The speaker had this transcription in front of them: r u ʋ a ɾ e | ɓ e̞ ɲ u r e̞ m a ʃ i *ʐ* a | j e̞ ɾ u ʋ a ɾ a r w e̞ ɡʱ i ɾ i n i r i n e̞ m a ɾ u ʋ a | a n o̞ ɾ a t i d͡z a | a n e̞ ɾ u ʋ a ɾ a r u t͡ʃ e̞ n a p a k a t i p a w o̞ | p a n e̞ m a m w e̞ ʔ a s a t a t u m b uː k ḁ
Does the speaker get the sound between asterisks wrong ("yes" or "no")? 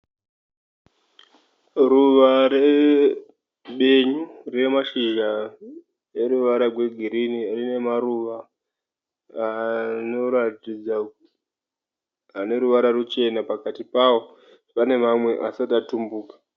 yes